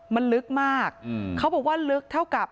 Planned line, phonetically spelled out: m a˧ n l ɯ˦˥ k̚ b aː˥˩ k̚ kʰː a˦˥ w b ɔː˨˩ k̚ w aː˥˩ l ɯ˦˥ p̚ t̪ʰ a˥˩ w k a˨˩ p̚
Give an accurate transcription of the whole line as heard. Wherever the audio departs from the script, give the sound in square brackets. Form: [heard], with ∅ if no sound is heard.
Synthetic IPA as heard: m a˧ n l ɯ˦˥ k̚ [m] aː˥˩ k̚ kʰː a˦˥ w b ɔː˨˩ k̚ w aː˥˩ l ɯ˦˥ [k̚] t̪ʰ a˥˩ w k a˨˩ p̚